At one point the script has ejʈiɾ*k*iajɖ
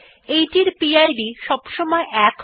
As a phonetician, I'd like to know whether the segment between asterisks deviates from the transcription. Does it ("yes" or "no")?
yes